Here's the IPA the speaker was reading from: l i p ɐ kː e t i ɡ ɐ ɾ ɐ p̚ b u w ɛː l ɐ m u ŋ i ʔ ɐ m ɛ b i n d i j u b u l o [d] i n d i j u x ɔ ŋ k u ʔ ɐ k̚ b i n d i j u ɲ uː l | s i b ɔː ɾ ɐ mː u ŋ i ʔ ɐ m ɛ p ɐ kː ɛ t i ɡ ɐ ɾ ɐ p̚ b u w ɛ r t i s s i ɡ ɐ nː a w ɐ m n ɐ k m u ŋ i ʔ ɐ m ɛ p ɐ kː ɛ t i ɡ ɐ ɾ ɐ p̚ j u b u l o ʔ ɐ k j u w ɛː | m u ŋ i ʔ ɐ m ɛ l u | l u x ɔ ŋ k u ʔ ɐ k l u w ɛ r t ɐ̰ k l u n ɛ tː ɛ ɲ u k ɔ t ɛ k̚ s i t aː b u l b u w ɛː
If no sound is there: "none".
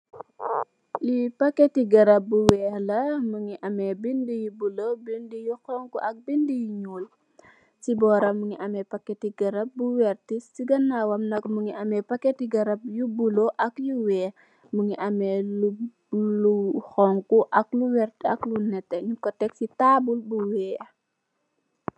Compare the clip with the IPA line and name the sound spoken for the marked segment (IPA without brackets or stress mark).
b